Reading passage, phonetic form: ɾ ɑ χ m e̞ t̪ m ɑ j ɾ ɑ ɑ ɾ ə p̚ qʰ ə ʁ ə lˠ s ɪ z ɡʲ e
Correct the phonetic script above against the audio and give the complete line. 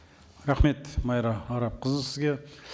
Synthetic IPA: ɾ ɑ χ m e̞ t̪ m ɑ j ɾ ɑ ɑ ɾ ɑ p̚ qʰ ə z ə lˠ s ɪ z ɡʲ e